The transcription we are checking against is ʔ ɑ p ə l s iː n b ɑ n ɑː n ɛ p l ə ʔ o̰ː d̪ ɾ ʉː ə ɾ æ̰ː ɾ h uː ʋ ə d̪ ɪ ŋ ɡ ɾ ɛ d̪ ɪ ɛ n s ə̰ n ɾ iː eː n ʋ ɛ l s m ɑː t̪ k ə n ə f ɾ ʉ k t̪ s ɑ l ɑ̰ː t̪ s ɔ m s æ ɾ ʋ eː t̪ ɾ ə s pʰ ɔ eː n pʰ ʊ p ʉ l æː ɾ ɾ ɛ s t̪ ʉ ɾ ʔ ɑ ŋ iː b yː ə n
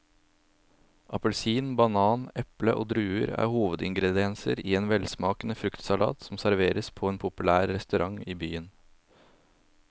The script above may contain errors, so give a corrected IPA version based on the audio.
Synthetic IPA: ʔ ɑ p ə l s iː n b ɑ n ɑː n ɛ p l ə ʔ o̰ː d̪ ɾ ʉː ə ɾ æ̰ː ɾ h uː ʋ ə d̪ ɪ ŋ ɡ ɾ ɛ d̪ ɪ ɛ n s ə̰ ɾ iː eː n ʋ ɛ l s m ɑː k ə n ə f ɾ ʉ k t̪ s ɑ l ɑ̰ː t̪ s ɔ m s æ ɾ ʋ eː ɾ ə s pʰ ɔ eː n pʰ ʊ p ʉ l æː ɾ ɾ ɛ s t̪ ʉ ɾ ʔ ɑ ŋ iː b yː ə n